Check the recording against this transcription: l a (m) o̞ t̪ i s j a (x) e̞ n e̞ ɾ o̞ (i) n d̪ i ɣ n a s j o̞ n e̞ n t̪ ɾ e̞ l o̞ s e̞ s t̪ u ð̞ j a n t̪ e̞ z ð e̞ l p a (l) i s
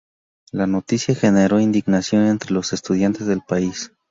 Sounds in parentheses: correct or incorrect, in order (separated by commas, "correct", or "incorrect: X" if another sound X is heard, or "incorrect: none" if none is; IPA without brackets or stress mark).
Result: incorrect: n, correct, correct, incorrect: none